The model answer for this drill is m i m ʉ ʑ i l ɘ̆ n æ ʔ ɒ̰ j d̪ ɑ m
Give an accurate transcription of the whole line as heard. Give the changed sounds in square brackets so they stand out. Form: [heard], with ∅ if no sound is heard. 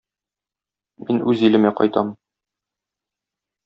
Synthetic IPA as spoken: m i [n] ʉ [z] i l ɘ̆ [m] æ [q] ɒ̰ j [t̪] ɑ m